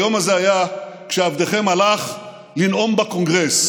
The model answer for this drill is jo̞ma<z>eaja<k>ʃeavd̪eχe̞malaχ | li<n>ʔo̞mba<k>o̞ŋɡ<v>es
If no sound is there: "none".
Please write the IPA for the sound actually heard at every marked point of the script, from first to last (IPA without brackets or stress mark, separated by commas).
z, k, n, k, ʁ